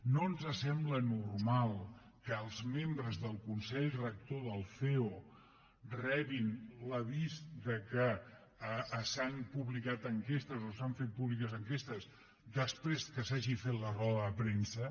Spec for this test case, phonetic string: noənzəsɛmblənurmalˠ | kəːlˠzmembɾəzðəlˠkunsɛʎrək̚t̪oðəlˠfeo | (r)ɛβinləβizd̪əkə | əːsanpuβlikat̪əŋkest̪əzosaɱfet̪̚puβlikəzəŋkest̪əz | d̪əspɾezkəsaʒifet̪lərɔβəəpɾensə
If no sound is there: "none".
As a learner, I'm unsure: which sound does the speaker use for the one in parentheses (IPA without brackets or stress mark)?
r